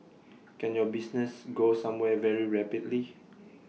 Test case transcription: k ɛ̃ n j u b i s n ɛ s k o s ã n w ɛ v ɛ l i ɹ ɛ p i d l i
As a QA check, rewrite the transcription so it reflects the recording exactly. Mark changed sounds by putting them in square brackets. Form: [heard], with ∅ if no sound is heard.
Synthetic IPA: k ɛ̃ n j [ɔ] b i s n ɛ s [ɡ] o s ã [m] w ɛ v ɛ [ɹ] i ɹ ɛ p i d l i